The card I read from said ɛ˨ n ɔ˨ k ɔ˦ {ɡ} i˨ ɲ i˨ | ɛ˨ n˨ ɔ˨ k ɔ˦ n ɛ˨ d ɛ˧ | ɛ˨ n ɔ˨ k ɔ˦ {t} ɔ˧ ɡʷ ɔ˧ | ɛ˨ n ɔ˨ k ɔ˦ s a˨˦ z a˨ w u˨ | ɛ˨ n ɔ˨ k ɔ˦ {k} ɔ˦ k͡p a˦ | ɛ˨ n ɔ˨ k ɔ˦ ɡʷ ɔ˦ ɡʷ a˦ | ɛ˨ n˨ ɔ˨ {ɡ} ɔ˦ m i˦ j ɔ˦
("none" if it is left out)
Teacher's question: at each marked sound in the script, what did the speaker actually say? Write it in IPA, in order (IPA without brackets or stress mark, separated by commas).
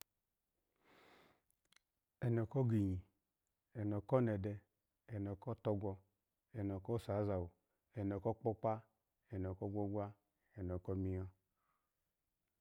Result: ɡ, t, k͡p, k